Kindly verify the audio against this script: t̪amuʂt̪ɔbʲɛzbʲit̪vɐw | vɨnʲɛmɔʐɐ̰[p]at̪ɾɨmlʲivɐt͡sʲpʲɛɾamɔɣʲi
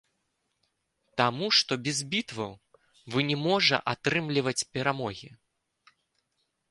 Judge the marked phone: incorrect: ʔ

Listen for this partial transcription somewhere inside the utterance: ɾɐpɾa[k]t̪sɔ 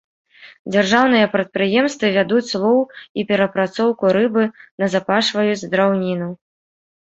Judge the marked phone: incorrect: none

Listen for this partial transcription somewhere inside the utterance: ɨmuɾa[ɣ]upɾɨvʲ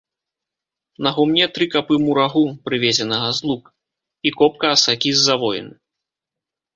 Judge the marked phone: correct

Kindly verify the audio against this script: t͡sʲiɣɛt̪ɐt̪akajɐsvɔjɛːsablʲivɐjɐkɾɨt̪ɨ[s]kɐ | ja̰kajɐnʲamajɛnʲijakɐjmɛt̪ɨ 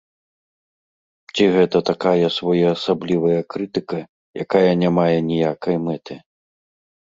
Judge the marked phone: incorrect: none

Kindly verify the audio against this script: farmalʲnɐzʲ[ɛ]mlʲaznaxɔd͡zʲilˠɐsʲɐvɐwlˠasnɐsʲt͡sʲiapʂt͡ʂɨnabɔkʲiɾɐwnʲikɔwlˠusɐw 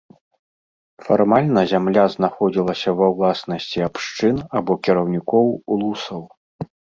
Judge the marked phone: incorrect: a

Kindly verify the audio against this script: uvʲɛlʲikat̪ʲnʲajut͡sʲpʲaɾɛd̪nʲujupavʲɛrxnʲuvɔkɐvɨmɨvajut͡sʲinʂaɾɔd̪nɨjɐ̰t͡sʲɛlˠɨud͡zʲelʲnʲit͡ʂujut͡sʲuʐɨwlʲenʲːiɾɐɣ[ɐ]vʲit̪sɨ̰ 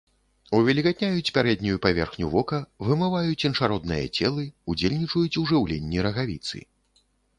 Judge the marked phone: incorrect: a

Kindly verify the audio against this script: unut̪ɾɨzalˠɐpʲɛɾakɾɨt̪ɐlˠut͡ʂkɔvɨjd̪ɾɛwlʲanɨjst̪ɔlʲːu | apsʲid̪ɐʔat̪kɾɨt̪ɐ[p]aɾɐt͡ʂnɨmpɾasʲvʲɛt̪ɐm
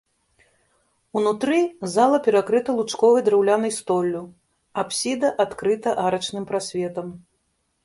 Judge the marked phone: incorrect: ʔ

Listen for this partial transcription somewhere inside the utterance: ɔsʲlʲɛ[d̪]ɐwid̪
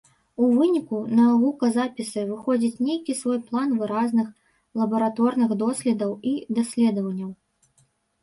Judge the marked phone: correct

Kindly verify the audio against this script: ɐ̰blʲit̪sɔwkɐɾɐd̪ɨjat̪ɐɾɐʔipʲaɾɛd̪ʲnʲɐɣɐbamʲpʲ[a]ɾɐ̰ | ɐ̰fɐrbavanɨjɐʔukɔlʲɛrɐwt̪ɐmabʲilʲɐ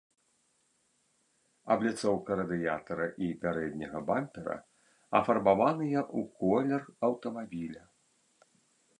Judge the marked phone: incorrect: ɛ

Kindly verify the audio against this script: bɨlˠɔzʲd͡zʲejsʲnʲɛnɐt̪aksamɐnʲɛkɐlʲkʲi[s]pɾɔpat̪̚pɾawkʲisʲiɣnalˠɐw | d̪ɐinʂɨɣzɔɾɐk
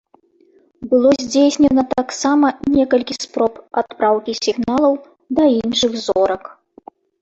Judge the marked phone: correct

